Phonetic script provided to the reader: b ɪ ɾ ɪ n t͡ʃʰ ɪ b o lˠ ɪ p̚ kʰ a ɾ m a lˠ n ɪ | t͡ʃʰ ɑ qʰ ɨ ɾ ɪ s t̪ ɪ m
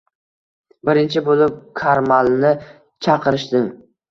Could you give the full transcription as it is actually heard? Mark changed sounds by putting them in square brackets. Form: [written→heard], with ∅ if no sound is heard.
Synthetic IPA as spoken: b ɪ ɾ ɪ n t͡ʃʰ ɪ b o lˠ ɪ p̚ kʰ a ɾ m a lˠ n ɪ | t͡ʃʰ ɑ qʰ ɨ ɾ ɪ [s→ʃ] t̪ ɪ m